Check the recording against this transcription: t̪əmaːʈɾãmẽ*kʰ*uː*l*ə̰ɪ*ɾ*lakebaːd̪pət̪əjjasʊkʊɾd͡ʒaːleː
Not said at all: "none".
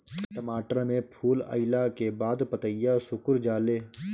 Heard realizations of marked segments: pʰ, l, none

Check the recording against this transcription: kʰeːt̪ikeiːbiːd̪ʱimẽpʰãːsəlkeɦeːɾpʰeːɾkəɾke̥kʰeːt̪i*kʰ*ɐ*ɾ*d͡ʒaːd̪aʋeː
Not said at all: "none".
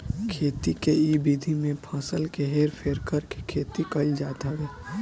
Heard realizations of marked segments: k, l

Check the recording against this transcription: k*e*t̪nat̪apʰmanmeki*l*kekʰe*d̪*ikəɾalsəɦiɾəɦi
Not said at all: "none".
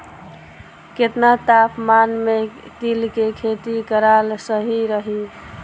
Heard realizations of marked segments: e, l, t̪

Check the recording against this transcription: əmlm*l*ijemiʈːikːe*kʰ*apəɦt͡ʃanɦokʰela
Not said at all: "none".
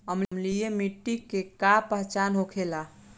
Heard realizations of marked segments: l, k

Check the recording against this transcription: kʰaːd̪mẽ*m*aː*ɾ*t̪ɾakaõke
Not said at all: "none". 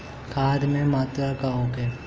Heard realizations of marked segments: m, none

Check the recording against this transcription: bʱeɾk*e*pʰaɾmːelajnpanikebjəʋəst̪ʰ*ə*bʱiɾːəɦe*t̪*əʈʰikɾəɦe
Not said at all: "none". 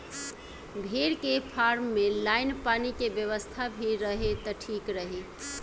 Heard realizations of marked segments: e, a, t̪

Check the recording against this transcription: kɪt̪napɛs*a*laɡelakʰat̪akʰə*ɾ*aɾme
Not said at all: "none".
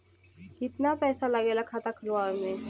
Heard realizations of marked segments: a, l

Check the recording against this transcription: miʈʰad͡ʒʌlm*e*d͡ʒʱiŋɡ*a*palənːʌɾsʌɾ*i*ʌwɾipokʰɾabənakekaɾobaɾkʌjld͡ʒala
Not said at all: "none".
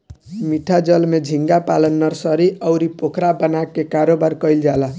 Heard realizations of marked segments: e, a, i

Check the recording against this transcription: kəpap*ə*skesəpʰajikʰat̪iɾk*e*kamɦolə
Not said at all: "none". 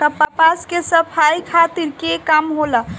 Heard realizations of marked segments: a, e

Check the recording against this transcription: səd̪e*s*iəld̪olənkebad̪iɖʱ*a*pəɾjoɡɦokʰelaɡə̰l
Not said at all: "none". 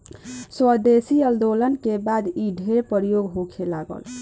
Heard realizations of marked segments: s, e

